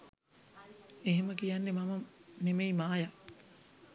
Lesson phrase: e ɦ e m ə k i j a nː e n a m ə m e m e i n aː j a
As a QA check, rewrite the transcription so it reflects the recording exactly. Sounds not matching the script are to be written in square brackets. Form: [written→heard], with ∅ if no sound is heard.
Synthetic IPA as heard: e ɦ e m ə k i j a nː e [n→m] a m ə [m→n] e m e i [n→m] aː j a